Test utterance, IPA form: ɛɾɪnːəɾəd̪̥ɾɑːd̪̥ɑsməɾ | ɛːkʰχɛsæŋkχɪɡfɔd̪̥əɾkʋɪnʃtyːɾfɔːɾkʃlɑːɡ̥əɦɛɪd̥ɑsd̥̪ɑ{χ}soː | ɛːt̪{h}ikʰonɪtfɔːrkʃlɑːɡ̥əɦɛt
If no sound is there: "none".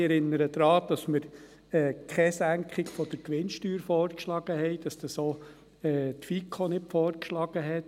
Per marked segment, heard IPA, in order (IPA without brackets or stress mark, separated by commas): none, f